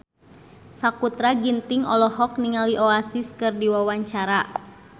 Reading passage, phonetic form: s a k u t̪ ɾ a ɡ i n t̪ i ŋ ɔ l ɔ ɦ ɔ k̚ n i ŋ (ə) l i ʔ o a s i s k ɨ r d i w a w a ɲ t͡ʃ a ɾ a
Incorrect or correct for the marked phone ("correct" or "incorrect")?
incorrect